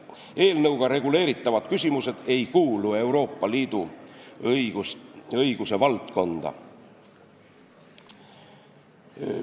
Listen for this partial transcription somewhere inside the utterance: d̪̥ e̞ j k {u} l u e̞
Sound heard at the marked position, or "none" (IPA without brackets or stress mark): uː